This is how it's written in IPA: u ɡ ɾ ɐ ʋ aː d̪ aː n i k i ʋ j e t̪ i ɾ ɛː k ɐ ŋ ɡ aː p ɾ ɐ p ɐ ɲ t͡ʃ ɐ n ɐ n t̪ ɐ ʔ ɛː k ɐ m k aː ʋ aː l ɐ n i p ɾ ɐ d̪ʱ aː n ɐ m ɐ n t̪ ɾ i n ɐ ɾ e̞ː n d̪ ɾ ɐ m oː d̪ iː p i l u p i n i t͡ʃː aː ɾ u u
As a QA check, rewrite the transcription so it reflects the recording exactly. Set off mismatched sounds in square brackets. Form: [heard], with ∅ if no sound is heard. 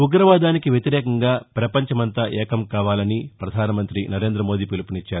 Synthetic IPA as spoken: u ɡ ɾ ɐ ʋ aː d̪ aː n i k i ʋ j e t̪ i ɾ ɛː k ɐ ŋ ɡ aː p ɾ ɐ p ɐ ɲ t͡ʃ ɐ [m] ɐ n t̪ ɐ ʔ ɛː k ɐ m k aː ʋ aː l ɐ n i p ɾ ɐ d̪ʱ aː n ɐ m ɐ n t̪ ɾ i n ɐ ɾ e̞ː n d̪ ɾ ɐ m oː d̪ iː p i l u p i n i t͡ʃː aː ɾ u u